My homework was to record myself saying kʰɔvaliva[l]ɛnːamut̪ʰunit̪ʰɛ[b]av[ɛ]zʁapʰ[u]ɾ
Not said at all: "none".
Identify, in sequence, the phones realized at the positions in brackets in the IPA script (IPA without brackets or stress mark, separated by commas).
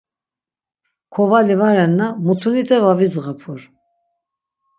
ɾ, v, i, u